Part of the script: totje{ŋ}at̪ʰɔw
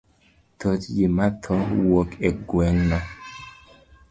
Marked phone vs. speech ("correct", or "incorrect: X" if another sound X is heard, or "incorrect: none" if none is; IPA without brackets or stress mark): incorrect: m